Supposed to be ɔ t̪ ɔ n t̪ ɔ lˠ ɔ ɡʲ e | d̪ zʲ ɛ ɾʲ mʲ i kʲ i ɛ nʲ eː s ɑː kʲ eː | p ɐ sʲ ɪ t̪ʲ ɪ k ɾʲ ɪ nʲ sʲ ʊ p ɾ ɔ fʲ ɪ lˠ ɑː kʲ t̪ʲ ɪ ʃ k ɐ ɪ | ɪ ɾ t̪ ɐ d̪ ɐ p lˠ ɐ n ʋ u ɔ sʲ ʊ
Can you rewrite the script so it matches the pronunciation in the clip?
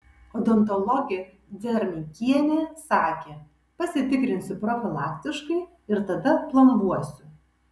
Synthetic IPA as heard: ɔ d̪ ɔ n t̪ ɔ lˠ ɔ ɡʲ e | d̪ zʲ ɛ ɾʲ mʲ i kʲ i ɛ nʲ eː s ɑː kʲ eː | p ɐ sʲ ɪ t̪ʲ ɪ k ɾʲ ɪ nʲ sʲ ʊ p ɾ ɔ fʲ ɪ lˠ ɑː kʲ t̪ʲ ɪ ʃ k ɐ ɪ | ɪ ɾ t̪ ɐ d̪ ɐ p lˠ ɐ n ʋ u ɔ sʲ ʊ